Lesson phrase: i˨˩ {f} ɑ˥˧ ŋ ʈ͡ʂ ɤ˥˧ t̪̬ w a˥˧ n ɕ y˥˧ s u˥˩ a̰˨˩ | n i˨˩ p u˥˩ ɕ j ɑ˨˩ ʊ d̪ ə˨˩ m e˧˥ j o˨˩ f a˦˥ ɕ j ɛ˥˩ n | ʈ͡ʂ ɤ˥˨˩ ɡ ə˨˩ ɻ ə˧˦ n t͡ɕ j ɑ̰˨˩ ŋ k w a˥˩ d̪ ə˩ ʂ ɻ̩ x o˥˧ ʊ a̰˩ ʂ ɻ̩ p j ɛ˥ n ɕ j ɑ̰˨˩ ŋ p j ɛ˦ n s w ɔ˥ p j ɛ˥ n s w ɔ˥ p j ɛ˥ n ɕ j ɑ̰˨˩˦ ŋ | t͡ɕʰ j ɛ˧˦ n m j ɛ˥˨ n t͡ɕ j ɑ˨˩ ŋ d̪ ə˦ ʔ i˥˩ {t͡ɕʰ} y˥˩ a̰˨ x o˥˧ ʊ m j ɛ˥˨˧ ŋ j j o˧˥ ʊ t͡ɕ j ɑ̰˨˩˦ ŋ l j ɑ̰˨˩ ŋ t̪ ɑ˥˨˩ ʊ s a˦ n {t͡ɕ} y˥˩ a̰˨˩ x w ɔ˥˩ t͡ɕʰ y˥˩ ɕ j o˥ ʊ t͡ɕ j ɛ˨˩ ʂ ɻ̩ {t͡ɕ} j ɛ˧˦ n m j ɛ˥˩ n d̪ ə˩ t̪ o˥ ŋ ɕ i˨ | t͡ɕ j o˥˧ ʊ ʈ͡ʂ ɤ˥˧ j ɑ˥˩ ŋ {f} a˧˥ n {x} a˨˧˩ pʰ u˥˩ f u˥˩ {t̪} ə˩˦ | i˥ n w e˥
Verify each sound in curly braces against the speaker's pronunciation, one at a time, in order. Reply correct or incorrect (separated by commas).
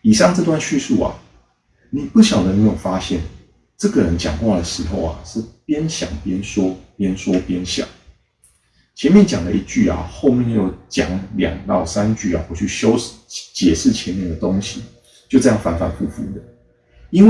incorrect, incorrect, correct, incorrect, correct, incorrect, incorrect